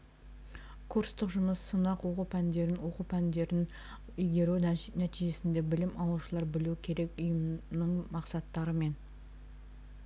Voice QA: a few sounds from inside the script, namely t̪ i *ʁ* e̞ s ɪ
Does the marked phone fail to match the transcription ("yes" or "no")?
yes